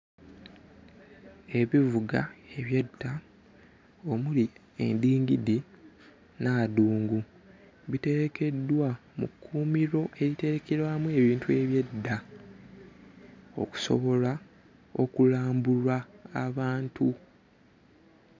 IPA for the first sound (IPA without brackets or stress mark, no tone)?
e̞